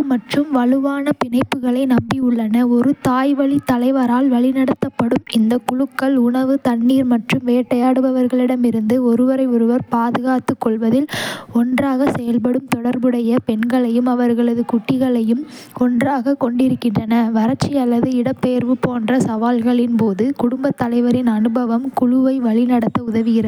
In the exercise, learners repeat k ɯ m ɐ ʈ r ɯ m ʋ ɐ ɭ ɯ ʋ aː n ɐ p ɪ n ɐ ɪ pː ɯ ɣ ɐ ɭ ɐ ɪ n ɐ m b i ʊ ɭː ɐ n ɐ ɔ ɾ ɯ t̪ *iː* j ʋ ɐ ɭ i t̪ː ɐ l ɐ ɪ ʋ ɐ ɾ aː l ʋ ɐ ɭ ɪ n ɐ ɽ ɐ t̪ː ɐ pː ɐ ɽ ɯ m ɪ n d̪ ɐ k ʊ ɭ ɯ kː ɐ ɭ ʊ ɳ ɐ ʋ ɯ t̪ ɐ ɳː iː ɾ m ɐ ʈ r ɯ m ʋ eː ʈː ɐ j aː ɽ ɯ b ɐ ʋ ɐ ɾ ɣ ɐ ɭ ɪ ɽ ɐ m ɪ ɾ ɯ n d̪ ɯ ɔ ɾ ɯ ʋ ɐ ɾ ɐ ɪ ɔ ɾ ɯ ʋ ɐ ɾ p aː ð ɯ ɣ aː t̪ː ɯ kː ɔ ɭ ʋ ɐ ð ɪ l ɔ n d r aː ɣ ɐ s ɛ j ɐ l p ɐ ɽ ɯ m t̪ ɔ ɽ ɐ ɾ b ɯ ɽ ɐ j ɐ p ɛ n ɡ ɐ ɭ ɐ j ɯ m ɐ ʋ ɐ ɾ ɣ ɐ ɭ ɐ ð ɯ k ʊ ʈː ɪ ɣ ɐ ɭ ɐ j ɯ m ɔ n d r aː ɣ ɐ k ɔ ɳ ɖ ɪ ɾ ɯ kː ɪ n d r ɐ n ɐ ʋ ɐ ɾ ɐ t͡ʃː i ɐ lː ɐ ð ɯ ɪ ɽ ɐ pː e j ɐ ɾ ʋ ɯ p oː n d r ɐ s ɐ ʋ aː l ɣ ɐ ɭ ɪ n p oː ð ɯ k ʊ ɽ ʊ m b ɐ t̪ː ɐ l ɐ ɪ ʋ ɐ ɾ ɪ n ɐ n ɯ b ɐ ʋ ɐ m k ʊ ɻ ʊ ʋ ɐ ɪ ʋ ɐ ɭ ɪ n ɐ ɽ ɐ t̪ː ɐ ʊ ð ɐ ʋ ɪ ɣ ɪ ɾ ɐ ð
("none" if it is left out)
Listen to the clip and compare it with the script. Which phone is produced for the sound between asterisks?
aː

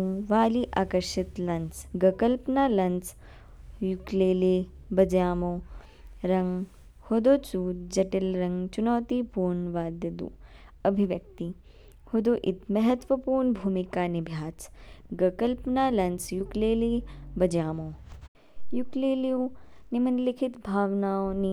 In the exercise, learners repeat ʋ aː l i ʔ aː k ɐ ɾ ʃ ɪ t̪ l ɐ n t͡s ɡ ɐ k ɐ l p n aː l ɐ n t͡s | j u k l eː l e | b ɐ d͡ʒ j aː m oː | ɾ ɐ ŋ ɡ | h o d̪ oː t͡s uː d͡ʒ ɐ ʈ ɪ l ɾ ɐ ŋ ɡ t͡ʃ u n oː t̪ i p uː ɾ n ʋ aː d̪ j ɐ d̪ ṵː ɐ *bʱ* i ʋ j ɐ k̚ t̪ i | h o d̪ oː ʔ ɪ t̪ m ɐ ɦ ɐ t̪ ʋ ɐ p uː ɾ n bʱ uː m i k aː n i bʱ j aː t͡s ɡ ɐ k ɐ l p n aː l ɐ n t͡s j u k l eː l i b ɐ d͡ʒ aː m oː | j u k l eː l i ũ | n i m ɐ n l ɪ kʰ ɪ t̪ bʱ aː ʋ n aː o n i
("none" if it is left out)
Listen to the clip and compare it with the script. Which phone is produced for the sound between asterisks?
bʱ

